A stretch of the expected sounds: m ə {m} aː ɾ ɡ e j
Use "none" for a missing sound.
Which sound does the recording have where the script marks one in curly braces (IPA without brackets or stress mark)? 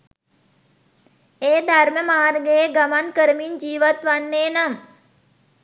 m